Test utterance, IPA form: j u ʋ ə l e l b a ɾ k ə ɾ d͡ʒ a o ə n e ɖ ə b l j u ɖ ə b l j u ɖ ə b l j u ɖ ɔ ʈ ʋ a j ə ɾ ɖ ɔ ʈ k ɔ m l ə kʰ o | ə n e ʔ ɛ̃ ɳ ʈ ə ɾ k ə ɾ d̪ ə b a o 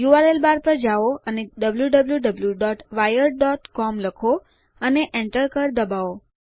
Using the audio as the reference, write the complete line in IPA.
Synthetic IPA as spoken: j u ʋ a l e l b a ɾ p ə ɾ d͡ʒ a o ə n e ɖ ə b l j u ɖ ə b l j u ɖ ə b l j u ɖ ɔ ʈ ʋ a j ə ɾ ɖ ɔ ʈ k ɔ m l ə kʰ o | ə n e ʔ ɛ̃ ɳ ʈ ə ɾ k ə ɾ d̪ ə b a o